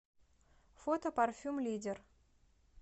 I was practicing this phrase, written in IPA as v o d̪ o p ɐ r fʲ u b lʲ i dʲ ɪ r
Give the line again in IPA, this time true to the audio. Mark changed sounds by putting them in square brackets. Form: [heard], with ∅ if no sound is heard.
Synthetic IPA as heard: [f] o [t̪] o p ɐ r fʲ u [m] lʲ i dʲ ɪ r